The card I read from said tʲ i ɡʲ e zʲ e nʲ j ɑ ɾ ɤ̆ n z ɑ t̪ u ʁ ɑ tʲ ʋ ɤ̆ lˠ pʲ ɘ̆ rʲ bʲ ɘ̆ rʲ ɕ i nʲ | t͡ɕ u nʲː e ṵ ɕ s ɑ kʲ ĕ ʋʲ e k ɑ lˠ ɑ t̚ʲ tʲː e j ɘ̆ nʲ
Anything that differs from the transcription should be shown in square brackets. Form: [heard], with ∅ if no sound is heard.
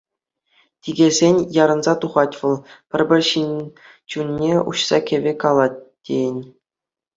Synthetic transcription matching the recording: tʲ i ɡʲ e zʲ e nʲ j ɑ ɾ ɤ̆ n z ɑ t̪ u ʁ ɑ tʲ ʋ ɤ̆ lˠ pʲ ɘ̆ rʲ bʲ ɘ̆ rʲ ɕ i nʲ | t͡ɕ u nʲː e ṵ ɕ s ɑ kʲ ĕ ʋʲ e k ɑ lˠ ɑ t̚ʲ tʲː e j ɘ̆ nʲ